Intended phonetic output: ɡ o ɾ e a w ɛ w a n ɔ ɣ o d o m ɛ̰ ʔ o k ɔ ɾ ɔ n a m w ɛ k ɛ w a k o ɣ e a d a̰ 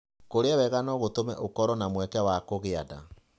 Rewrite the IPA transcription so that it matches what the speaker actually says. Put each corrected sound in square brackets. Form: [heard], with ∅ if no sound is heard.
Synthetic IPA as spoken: [k] o ɾ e a w ɛ [ɣ] a n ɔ ɣ o [t] o m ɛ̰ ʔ o k ɔ ɾ ɔ n a m w ɛ k ɛ w a k o ɣ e a d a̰